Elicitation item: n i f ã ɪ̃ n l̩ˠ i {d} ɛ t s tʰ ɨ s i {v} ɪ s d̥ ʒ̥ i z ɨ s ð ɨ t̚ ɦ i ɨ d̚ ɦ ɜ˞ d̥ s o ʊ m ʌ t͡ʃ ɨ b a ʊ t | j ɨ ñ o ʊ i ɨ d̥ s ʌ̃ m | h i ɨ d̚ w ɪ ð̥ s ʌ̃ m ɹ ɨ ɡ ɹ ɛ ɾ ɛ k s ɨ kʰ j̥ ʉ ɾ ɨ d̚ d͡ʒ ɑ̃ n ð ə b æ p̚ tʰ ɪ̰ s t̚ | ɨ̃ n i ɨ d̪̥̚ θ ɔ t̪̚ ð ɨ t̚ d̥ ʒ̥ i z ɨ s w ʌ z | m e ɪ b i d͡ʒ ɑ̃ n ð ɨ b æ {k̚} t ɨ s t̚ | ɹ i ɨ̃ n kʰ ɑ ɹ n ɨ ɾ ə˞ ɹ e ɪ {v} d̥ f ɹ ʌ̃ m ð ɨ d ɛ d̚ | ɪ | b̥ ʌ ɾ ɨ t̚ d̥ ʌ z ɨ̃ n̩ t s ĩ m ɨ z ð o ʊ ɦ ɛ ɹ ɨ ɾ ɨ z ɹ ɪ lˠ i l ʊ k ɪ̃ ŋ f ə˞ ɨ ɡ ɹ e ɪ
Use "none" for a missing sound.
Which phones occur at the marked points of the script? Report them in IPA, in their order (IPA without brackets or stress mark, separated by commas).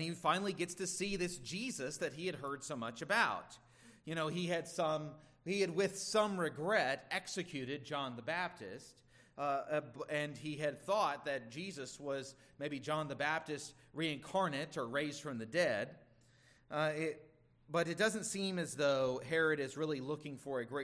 ɡ, ð, p̚, z